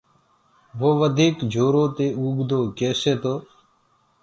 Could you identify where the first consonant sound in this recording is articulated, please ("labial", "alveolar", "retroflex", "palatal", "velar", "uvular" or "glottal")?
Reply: labial